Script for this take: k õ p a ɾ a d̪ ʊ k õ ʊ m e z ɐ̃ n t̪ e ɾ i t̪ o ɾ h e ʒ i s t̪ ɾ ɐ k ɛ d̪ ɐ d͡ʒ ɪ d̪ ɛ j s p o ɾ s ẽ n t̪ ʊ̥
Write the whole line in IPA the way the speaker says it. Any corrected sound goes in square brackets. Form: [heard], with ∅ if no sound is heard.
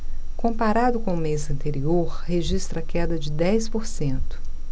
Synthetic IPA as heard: k õ p a ɾ a d̪ ʊ k õ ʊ m e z ɐ̃ n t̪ e ɾ i [∅] o ɾ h e ʒ i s t̪ ɾ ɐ k ɛ d̪ ɐ d͡ʒ ɪ d̪ ɛ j s p o ɾ s ẽ n t̪ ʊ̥

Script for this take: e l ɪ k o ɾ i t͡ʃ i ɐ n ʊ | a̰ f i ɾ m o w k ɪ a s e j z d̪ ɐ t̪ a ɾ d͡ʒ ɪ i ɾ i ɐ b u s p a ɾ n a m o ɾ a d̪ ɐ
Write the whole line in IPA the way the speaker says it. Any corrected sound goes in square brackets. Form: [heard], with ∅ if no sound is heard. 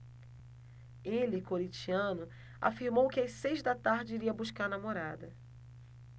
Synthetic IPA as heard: e l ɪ k o ɾ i t͡ʃ i [ɐ̃] n ʊ | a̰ f i ɾ m o w k ɪ a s e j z d̪ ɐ t̪ a ɾ d͡ʒ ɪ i ɾ i ɐ b u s [k] a ɾ n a m o ɾ a d̪ ɐ

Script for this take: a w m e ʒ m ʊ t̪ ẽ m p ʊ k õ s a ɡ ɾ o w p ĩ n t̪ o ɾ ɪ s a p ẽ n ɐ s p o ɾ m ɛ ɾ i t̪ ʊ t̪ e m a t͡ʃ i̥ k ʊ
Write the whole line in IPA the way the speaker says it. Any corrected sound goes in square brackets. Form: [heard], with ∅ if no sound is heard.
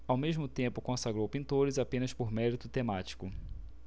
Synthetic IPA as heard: a w m e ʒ m ʊ t̪ ẽ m p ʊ k õ s a ɡ ɾ o w p ĩ n t̪ o ɾ ɪ [z] a p ẽ n ɐ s p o ɾ m ɛ ɾ i t̪ ʊ t̪ e m a t͡ʃ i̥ k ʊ

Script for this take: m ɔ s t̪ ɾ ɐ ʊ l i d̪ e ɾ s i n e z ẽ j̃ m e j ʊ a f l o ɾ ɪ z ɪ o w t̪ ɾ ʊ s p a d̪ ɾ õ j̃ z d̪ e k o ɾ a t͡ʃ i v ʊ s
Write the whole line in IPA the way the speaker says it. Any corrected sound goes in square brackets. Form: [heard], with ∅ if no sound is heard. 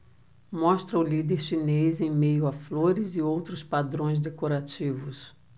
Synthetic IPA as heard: m ɔ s t̪ ɾ ɐ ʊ l i d̪ e ɾ [ʃ] i n e z ẽ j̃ m e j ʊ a f l o ɾ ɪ z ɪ o w t̪ ɾ ʊ s p a d̪ ɾ õ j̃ z d̪ e k o ɾ a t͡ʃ i v ʊ s

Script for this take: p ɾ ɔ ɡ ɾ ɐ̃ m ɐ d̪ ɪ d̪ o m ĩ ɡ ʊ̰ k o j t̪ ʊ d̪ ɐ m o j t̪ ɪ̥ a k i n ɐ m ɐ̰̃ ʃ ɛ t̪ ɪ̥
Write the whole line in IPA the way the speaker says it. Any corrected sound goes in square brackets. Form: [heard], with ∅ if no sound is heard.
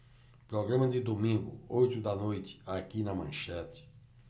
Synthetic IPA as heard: p ɾ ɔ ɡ ɾ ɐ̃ m ɐ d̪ ɪ d̪ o m ĩ ɡ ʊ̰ [∅] o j t̪ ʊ d̪ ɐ [n] o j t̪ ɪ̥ a k i n ɐ m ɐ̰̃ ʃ ɛ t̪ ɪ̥

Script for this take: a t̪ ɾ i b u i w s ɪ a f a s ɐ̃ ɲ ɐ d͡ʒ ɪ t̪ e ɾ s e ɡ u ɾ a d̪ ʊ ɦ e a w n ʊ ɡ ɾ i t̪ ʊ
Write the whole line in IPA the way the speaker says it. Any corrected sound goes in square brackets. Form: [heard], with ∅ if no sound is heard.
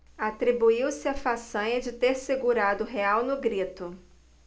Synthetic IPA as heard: a t̪ ɾ i b u i w s ɪ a f a s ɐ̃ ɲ ɐ d͡ʒ ɪ t̪ e ɾ s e ɡ u ɾ a d̪ ʊ ɦ e a w n ʊ ɡ ɾ i t̪ ʊ

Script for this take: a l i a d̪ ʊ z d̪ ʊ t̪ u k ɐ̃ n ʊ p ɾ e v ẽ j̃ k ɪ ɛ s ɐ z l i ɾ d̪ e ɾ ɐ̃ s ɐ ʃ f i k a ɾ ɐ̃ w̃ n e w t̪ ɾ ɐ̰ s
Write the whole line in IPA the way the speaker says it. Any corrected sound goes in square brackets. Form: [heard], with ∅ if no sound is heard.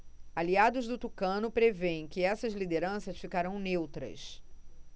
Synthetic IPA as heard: a l i a d̪ ʊ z d̪ ʊ t̪ u k ɐ̃ n ʊ p ɾ e v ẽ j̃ k ɪ ɛ s ɐ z l i [∅] d̪ e ɾ ɐ̃ s ɐ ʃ f i k a ɾ ɐ̃ w̃ n e w t̪ ɾ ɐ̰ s

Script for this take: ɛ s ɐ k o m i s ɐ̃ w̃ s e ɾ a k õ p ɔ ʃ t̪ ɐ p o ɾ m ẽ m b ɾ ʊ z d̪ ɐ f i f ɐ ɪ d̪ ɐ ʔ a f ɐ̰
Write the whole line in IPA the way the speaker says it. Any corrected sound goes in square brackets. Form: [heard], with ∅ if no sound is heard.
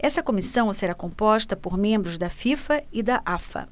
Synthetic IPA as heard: ɛ s ɐ k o m i s ɐ̃ w̃ s e ɾ a k õ p ɔ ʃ t̪ ɐ p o ɾ m ẽ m b ɾ ʊ z d̪ ɐ f i f ɐ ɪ d̪ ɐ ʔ a f ɐ̰

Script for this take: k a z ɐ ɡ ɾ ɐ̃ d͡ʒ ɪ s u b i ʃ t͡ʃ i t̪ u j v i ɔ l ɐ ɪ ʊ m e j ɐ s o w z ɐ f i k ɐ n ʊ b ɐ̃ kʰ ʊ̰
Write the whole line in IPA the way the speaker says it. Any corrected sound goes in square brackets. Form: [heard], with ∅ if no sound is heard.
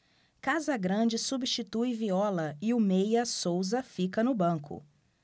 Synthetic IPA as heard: k a z ɐ ɡ ɾ ɐ̃ d͡ʒ ɪ s u b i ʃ t͡ʃ i t̪ u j v i ɔ l ɐ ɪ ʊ m e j ɐ s o w z ɐ f i k ɐ n ʊ b ɐ̃ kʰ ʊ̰

